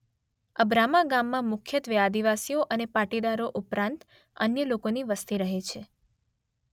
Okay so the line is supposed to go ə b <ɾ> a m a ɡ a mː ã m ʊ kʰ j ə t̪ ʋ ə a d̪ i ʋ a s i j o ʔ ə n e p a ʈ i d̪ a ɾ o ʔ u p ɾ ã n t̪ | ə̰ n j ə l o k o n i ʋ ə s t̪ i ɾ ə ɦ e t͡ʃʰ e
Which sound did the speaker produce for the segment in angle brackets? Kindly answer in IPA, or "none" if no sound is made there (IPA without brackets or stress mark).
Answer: ɾ